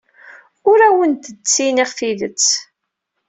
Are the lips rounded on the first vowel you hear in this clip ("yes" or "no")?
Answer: yes